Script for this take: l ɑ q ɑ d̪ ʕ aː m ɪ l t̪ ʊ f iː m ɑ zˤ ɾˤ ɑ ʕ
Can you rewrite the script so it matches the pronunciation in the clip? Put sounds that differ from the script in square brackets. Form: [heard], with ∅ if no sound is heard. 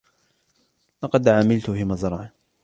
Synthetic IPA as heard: l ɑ q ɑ d̪ ʕ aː m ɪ l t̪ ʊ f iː m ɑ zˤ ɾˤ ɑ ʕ